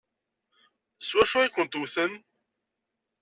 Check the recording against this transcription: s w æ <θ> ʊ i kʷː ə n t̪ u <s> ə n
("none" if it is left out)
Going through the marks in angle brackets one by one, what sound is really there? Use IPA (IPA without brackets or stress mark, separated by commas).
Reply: ʃ, θ